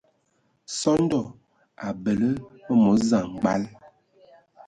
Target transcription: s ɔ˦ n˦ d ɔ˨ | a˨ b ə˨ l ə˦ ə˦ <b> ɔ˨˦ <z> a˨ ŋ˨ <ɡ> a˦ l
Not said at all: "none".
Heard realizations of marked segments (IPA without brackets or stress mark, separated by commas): m, z, ɡ͡b